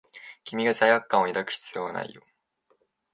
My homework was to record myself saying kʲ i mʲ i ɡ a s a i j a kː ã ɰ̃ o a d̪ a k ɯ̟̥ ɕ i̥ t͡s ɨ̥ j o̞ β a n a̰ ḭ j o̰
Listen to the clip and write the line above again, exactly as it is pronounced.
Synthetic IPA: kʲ i mʲ i ɡ a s a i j a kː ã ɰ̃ o i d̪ a k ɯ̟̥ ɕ i̥ t͡s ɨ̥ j o̞ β a n a̰ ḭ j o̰

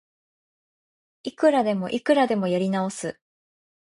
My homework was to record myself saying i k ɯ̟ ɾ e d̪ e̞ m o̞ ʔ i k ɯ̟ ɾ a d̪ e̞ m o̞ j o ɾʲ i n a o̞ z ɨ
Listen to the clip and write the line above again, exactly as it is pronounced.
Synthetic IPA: i k ɯ̟ ɾ a d̪ e̞ m o̞ ʔ i k ɯ̟ ɾ a d̪ e̞ m o̞ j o ɾʲ i n a o̞ s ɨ

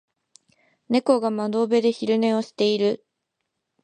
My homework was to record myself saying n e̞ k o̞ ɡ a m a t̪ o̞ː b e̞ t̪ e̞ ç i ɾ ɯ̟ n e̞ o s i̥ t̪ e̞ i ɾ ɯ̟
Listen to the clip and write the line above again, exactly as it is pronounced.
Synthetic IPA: n e̞ k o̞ ɡ a m a d̪ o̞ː b e̞ d̪ e̞ ç i ɾ ɯ̟ n e̞ o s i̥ t̪ e̞ i ɾ ɯ̟

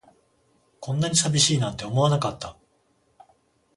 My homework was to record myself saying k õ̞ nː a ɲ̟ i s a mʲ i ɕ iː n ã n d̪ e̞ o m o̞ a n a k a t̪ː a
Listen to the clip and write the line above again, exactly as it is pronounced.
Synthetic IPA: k õ̞ nː a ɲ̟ i s a bʲ i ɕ iː n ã n t̪ e̞ o m o̞ a n a k a t̪ː a

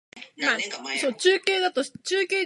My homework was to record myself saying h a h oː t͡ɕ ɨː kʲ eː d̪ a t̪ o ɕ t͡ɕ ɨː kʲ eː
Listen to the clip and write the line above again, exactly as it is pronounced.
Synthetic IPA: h a s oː t͡ɕ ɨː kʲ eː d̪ a t̪ o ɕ t͡ɕ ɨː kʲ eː

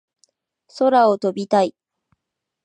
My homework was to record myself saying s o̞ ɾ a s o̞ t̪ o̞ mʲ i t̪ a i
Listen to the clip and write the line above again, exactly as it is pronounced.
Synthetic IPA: s o̞ ɾ a o̞ t̪ o̞ bʲ i t̪ a i

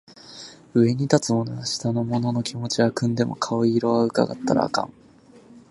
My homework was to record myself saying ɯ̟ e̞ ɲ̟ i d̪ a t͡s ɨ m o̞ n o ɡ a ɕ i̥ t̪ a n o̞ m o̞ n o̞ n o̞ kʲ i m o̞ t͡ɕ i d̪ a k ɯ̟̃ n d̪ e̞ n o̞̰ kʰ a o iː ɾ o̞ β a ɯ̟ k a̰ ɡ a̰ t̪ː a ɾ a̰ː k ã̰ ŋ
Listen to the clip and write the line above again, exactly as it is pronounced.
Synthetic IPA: ɯ̟ e̞ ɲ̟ i t̪ a t͡s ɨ m o̞ n o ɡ a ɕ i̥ t̪ a n o̞ m o̞ n o̞ n o̞ kʲ i m o̞ t͡ɕ i a k ɯ̟̃ n d̪ e̞ m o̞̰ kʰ a o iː ɾ o̞ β a ɯ̟ k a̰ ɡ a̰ t̪ː a ɾ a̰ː k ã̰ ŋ

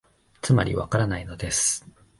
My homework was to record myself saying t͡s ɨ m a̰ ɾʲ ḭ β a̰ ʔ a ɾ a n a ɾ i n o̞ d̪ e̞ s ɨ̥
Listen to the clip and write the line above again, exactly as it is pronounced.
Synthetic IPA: t͡s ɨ m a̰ ɾʲ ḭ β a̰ k a ɾ a n a i n o̞ d̪ e̞ s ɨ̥

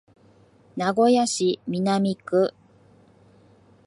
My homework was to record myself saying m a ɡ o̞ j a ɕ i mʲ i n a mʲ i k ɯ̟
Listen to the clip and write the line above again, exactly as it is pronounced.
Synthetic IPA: n a ɡ o̞ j a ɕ i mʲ i n a mʲ i k ɯ̟

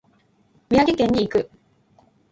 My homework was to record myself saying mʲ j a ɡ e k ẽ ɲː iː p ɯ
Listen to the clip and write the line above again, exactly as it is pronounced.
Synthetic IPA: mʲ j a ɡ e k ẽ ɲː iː k ɯ

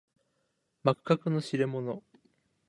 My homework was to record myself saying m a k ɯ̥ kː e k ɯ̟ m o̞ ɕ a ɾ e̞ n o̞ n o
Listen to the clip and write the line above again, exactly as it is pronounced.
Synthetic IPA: m a k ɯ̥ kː a k ɯ̟ n o̞ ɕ i ɾ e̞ m o̞ n o

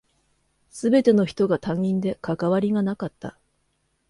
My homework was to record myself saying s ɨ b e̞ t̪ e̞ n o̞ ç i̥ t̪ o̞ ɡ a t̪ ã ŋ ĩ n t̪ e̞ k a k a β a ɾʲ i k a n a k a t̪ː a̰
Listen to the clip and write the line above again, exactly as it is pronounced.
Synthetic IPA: s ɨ b e̞ t̪ e̞ n o̞ ç i̥ t̪ o̞ ɡ a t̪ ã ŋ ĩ n d̪ e̞ k a k a β a ɾʲ i ɡ a n a k a t̪ː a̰

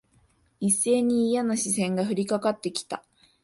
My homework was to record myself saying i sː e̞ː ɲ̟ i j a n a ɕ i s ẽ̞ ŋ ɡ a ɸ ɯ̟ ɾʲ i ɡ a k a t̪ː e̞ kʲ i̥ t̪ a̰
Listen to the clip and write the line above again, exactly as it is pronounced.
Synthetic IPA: i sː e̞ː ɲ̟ iː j a n a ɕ i s ẽ̞ ŋ ɡ a ɸ ɯ̟ ɾʲ i k a k a t̪ː e̞ kʲ i̥ t̪ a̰

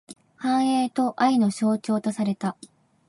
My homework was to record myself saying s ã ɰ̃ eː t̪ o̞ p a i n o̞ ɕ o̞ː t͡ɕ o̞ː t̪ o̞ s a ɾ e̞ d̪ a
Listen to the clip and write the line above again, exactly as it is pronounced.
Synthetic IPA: h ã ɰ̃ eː t̪ o̞ ʔ a i n o̞ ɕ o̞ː t͡ɕ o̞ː t̪ o̞ s a ɾ e̞ t̪ a

